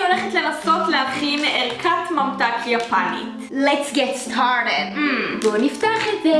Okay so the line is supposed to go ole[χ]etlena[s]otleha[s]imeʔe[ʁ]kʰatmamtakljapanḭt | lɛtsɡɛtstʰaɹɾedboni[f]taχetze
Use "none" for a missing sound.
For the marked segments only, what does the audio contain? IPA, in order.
χ, s, χ, ʁ, f

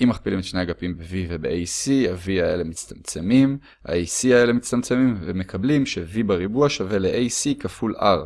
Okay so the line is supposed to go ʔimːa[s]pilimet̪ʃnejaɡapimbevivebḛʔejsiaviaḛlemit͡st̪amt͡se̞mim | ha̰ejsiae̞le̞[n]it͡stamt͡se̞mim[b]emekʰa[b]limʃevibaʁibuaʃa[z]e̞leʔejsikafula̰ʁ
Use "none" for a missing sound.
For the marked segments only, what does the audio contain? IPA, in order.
χ, m, v, b, v

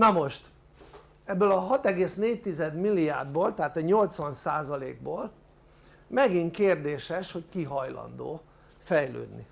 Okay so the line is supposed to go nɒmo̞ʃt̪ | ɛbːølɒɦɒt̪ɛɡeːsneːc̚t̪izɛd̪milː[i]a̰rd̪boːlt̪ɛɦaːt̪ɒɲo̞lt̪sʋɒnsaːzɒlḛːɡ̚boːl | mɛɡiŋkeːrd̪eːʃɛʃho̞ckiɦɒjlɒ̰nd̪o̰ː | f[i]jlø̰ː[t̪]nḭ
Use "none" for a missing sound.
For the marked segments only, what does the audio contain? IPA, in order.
i, ɛ, d̪

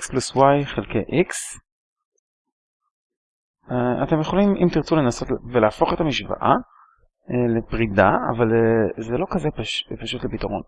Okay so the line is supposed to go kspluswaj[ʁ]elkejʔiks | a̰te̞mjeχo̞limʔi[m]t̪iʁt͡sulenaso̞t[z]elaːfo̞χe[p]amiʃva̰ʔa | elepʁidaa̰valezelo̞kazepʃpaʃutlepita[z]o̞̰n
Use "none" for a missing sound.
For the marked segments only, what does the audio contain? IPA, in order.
χ, m, v, t, ʁ

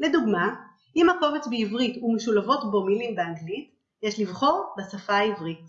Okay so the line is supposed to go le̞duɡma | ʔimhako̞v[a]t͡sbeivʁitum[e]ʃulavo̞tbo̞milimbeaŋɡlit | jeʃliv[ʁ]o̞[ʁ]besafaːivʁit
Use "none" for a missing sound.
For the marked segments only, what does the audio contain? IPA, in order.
e, e, χ, ʁ

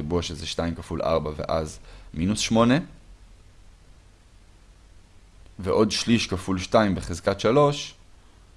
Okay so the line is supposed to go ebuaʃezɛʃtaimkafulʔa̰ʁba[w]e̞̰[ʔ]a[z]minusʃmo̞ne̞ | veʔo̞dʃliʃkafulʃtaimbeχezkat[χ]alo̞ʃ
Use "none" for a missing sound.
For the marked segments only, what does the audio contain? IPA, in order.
v, ʔ, z, ʃ

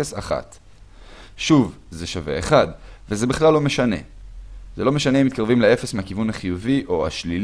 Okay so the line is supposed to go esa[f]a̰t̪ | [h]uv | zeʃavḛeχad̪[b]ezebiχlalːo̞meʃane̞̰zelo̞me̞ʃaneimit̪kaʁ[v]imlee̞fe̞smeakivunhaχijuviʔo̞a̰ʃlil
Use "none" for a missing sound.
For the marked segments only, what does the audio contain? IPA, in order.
χ, ʃ, v, v

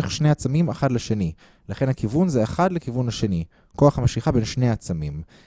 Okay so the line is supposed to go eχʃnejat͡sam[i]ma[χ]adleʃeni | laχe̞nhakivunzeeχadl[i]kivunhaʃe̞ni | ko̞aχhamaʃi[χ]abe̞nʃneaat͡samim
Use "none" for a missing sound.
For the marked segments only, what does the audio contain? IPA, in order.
i, χ, e, χ

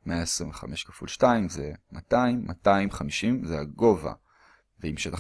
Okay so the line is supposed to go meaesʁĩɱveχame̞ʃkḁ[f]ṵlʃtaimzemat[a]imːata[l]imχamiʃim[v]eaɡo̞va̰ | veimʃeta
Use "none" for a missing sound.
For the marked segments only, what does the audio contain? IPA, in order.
f, a, none, z

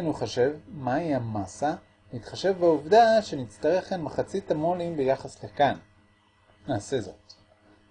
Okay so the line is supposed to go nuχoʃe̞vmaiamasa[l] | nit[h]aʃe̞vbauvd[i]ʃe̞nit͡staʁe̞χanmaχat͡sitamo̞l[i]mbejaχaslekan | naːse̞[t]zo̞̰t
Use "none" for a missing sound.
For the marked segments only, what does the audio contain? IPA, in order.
none, χ, a, i, none

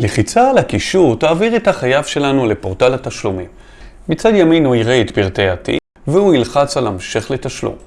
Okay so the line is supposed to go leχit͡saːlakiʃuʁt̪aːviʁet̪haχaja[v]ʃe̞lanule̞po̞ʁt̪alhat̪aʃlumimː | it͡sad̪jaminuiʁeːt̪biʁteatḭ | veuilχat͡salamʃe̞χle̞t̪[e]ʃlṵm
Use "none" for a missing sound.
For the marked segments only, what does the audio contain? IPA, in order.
v, a

